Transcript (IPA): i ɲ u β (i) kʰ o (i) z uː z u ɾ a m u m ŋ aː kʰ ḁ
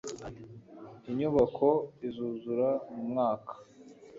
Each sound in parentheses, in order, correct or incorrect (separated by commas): incorrect, correct